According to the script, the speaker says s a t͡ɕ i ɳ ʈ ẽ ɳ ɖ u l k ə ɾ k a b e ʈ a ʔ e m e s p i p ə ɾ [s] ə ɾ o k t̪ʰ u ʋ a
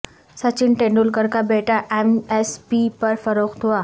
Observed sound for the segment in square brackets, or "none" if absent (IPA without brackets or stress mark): f